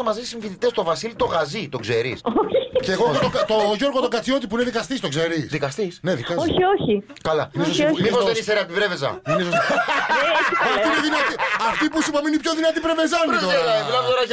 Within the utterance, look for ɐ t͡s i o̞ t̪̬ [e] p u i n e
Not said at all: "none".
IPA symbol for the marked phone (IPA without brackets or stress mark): i